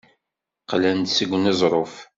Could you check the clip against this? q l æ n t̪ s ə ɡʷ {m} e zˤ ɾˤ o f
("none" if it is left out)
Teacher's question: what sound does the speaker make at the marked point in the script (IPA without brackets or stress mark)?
n